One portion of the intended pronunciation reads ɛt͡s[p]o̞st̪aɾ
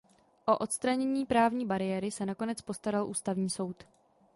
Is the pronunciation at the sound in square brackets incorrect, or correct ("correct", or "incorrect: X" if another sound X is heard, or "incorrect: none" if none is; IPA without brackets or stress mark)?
correct